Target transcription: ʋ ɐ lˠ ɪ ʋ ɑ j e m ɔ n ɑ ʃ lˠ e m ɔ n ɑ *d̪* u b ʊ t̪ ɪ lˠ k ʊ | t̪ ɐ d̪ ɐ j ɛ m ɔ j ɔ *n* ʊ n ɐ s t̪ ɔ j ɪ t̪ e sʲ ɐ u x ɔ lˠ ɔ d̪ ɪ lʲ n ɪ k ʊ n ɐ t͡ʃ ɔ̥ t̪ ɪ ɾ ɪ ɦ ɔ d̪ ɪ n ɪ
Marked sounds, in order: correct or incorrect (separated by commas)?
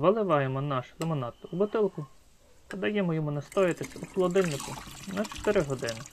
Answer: incorrect, incorrect